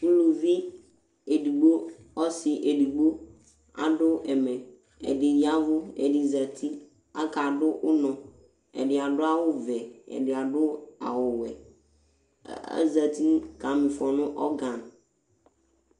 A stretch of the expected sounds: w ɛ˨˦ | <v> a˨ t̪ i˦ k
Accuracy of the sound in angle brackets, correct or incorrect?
incorrect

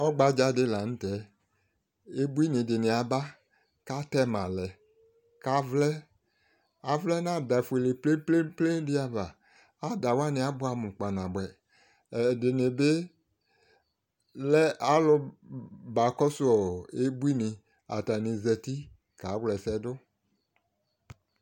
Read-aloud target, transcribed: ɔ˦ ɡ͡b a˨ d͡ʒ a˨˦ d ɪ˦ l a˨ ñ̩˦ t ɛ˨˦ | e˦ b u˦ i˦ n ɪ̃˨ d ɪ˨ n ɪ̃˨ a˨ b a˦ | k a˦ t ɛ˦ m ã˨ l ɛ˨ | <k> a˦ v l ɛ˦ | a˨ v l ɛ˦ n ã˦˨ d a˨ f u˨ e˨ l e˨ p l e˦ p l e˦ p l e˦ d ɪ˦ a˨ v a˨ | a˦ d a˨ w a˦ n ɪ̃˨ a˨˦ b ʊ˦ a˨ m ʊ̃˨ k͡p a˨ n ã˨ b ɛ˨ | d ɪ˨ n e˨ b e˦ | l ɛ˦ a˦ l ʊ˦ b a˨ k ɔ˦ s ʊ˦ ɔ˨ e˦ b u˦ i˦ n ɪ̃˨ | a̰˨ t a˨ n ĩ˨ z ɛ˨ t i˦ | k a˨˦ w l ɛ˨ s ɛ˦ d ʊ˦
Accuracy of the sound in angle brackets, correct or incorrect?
correct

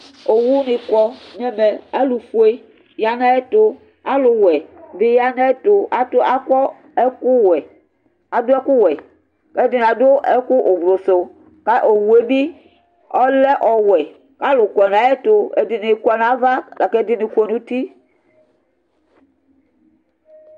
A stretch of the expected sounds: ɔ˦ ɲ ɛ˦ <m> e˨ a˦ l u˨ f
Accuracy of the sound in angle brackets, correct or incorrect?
correct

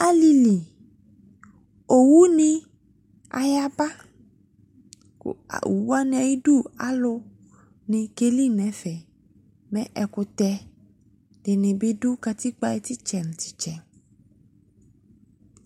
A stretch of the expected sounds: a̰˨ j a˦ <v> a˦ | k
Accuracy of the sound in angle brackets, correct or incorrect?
incorrect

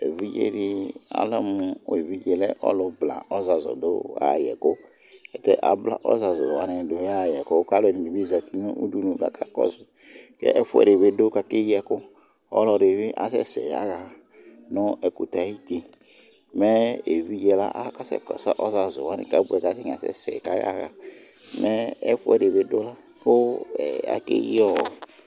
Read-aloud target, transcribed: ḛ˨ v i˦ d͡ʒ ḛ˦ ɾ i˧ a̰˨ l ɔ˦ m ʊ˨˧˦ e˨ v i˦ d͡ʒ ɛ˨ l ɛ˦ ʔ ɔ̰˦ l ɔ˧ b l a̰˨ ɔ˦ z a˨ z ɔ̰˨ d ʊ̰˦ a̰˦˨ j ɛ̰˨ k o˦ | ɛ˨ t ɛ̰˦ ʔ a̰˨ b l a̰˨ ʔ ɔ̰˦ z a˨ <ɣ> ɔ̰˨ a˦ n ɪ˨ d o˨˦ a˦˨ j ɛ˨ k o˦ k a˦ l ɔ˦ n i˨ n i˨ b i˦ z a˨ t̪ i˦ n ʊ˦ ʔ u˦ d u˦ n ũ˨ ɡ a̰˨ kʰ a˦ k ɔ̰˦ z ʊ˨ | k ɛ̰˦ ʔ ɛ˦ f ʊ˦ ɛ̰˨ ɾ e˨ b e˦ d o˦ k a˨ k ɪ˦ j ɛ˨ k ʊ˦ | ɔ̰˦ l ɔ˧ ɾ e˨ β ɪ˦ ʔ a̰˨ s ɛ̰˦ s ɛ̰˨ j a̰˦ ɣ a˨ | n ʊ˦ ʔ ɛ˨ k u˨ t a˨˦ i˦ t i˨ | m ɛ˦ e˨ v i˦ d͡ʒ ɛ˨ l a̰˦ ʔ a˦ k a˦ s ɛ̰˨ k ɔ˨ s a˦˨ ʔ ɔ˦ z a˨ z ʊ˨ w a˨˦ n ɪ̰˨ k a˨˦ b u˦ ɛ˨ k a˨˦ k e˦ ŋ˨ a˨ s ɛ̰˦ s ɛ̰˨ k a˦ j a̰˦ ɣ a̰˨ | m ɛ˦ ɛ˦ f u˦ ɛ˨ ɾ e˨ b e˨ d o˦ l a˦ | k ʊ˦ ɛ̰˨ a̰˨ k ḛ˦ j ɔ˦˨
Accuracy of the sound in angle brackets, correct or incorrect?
incorrect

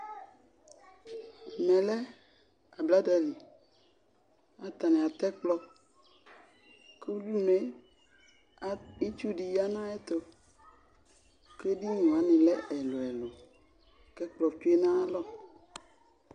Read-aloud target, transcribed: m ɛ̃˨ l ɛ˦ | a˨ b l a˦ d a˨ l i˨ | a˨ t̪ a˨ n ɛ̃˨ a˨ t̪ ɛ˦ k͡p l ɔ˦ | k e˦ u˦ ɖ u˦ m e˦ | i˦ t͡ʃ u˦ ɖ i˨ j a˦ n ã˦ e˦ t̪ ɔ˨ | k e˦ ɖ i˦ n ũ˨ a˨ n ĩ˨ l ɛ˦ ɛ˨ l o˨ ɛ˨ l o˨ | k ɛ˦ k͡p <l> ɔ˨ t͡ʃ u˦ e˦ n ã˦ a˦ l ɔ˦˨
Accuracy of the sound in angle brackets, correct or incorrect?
correct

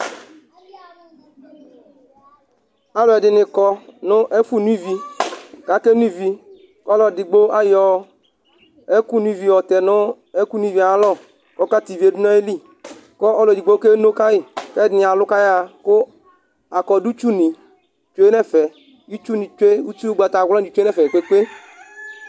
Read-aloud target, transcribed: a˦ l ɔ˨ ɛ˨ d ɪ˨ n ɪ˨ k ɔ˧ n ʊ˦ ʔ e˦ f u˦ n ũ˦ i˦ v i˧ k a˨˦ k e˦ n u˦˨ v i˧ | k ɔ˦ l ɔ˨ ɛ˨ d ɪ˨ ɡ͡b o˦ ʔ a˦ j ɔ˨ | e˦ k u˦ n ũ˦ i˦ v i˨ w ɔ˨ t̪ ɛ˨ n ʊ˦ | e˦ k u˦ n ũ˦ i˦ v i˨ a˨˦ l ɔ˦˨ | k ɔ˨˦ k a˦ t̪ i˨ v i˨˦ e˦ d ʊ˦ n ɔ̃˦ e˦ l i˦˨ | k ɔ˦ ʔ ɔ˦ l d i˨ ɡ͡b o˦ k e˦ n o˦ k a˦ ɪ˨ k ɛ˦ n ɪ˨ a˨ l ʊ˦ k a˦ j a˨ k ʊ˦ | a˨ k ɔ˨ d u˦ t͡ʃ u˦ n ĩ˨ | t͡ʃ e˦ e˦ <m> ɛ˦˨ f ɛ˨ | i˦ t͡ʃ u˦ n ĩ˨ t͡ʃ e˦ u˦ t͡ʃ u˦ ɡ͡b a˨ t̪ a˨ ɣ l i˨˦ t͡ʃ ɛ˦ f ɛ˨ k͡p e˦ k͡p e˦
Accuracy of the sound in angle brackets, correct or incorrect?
incorrect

